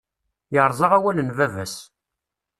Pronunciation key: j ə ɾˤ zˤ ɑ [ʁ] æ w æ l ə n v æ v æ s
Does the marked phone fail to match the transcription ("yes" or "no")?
no